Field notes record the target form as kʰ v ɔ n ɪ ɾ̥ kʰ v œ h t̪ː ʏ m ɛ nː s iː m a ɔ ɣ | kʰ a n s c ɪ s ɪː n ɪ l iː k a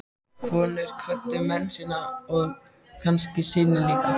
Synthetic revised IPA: kʰ v ɔː n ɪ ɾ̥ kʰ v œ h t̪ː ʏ m ɛ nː s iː n a ɔ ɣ | kʰ a n s c ɪ s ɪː n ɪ l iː k a